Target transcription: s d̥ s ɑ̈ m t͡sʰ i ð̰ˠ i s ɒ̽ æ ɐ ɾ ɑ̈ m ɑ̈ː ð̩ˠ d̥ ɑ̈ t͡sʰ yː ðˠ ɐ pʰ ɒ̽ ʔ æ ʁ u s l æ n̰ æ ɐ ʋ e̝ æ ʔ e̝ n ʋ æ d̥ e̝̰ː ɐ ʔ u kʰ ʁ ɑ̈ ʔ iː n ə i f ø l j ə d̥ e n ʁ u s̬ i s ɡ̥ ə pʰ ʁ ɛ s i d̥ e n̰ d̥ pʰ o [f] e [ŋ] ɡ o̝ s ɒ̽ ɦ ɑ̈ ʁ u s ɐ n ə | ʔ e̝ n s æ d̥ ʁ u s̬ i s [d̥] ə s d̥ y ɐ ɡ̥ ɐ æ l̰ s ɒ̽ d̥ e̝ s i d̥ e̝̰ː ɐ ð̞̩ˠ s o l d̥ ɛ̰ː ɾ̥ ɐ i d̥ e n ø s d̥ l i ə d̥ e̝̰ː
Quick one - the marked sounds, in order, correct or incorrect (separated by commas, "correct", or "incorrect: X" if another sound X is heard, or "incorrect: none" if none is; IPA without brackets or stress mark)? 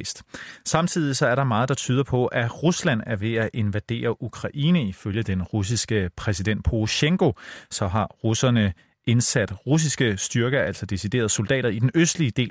incorrect: ɕ, correct, incorrect: ɡ̥